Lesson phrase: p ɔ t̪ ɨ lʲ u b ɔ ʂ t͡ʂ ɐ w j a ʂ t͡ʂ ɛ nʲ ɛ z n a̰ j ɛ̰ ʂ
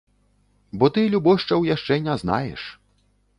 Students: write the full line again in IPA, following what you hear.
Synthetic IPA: b ɔ t̪ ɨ lʲ u b ɔ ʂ t͡ʂ ɐ w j a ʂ t͡ʂ ɛ nʲ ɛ z n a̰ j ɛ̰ ʂ